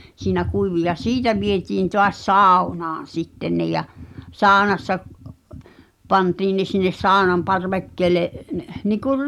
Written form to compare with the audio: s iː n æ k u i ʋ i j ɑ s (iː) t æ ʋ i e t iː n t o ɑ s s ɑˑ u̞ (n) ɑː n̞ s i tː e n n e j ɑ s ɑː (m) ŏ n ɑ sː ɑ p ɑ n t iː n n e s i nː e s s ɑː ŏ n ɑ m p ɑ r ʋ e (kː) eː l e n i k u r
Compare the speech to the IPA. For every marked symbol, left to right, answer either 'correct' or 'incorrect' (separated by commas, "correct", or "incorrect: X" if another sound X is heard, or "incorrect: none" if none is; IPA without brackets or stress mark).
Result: correct, correct, incorrect: none, correct